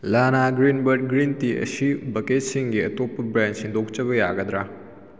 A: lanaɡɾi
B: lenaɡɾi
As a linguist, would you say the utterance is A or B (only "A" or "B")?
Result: A